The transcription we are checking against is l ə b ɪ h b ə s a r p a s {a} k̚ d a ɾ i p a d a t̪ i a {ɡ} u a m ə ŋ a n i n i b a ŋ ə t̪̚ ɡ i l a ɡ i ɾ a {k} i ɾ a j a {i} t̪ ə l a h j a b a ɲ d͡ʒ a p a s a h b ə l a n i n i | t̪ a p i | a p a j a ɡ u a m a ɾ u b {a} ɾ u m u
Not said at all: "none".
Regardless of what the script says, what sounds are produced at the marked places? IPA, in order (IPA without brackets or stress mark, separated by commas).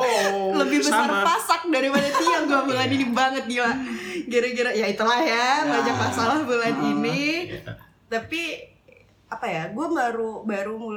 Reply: a, ɡ, ɡ, i, a